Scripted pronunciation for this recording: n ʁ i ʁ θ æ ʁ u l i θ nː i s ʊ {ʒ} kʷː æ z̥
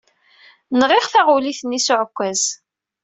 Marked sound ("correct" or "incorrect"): incorrect